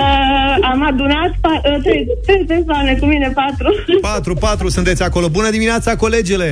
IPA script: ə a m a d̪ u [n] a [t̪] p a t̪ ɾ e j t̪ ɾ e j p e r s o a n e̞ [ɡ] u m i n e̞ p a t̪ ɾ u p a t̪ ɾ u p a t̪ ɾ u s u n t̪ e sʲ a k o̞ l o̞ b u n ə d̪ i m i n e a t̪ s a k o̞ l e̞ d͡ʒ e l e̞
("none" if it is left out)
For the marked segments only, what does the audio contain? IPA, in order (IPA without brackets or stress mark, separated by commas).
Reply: n, t̪, k